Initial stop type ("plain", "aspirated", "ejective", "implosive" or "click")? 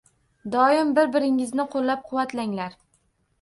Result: plain